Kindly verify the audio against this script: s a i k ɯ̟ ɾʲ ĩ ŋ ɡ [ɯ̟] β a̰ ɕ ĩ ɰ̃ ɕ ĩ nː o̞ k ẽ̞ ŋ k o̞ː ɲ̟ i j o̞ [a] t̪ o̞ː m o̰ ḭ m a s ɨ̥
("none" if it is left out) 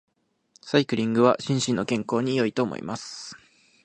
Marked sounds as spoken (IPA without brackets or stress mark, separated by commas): ɯ̟, i